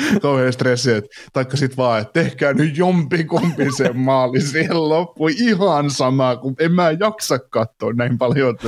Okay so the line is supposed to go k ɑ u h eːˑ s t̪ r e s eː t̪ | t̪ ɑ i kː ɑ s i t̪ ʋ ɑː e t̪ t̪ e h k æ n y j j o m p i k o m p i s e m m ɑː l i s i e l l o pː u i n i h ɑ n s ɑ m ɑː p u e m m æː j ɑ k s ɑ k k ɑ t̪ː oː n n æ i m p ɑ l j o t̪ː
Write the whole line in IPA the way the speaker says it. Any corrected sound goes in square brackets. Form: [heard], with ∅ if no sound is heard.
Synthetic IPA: k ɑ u h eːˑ s t̪ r e s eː t̪ | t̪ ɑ i kː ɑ s i t̪ ʋ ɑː e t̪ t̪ e h k [æː] n y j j o m p i k o m p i s e m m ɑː l i s i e l l o pː u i [∅] i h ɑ n s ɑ m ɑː [k] u e m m æː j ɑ k s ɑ k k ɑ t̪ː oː n n æ i m p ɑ l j o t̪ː